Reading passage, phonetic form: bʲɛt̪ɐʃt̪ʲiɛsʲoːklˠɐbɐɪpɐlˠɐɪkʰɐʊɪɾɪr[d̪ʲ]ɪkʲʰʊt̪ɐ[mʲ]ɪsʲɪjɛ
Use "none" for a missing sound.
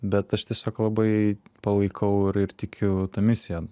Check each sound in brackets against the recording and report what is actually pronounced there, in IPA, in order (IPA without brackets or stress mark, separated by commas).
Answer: t̪ʲ, mʲ